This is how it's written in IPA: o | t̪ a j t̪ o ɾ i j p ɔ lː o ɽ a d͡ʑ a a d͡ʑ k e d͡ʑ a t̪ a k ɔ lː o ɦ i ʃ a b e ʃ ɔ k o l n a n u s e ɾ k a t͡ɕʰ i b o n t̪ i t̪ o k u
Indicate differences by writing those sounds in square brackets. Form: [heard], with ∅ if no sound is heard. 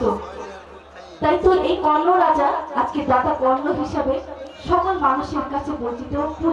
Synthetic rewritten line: o | t̪ a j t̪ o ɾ [e] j [k] ɔ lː o [ɾ] a d͡ʑ a a d͡ʑ k e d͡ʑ a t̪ a k ɔ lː o ɦ i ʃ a b e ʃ ɔ k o l [m] a n u [ʃ] e ɾ k a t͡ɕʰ [e] b o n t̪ i t̪ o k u